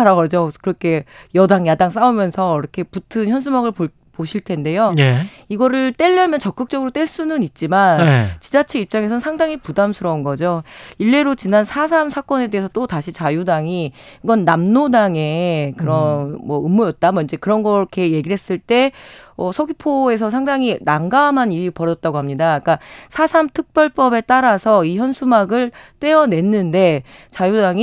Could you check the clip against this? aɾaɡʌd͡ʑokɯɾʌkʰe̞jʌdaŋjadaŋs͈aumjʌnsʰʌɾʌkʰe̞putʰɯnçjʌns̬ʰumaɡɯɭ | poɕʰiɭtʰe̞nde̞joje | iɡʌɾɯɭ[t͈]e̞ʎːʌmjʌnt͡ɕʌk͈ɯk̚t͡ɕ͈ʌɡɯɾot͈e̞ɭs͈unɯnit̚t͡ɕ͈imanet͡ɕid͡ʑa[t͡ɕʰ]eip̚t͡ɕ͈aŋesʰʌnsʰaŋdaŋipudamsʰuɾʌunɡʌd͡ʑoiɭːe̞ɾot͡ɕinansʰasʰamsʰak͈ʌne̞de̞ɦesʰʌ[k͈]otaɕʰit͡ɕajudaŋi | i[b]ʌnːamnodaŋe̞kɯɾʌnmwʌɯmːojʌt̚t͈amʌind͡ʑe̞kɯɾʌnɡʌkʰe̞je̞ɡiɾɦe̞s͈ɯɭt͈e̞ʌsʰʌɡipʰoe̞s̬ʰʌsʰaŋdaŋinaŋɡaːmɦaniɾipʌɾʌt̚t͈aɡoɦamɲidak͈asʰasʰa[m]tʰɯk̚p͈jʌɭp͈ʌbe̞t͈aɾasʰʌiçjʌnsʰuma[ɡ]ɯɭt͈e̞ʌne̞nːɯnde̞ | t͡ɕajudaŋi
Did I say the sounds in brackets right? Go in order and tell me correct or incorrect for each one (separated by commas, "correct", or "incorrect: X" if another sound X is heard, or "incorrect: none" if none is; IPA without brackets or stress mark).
correct, correct, incorrect: t͈, incorrect: ɡ, correct, correct